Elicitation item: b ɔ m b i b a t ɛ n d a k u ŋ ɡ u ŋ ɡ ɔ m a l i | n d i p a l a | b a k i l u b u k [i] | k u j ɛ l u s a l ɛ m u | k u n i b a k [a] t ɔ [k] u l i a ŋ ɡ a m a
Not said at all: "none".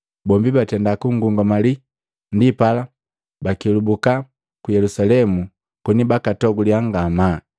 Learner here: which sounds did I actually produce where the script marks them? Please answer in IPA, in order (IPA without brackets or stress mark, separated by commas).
a, a, ɡ